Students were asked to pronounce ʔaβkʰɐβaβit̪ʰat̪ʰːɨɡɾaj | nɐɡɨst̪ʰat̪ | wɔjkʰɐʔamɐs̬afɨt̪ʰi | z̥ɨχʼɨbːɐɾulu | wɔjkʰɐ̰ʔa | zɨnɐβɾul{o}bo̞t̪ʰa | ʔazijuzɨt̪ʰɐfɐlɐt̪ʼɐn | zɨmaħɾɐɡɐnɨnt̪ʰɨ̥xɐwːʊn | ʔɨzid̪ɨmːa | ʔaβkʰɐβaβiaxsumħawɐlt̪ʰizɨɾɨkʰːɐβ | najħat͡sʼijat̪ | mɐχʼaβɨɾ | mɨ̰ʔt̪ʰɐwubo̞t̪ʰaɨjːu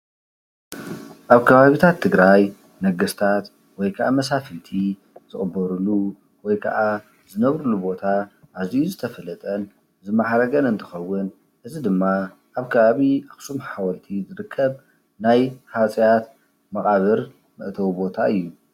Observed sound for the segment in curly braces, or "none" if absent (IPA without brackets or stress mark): u